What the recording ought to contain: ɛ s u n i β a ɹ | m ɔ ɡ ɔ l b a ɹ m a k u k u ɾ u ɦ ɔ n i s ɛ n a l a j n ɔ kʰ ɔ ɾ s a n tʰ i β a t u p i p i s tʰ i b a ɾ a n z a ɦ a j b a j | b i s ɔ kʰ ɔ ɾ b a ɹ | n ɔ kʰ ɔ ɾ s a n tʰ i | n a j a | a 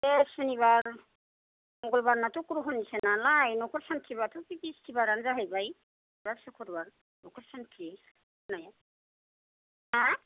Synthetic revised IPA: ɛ s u n i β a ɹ | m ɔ ɡ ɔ l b a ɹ n a t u k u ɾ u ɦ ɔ n i s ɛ n a l a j n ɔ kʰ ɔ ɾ s a n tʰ i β a t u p i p i s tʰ i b a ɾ a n z a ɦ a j b a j | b a s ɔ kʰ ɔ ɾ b a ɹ | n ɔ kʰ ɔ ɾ s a n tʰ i | n a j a | a